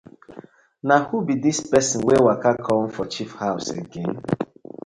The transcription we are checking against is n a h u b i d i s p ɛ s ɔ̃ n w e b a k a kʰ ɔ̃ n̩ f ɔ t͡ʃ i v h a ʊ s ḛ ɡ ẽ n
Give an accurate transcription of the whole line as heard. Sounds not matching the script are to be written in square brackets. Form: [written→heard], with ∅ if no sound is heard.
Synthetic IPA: n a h u b i d i s p ɛ s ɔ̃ n w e [b→w] a k a kʰ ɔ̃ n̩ f ɔ t͡ʃ i [v→f] h a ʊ s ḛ ɡ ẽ n